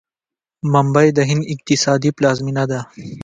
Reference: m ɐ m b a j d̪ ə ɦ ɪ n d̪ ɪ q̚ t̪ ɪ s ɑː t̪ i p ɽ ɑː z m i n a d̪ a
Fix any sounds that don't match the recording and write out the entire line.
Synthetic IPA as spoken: m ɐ m b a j d̪ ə ɦ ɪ n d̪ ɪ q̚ t̪ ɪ s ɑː d̪ i p l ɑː z m i n a d̪ a